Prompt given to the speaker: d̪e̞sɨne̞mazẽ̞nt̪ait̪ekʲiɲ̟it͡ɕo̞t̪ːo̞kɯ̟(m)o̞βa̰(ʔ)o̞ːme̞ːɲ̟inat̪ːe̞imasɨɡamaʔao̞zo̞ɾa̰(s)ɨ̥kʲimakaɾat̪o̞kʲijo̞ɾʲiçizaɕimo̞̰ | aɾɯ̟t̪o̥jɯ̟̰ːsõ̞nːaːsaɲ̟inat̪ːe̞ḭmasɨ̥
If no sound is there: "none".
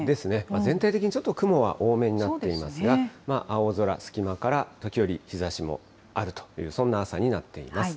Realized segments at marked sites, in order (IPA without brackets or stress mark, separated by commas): m, ʔ, s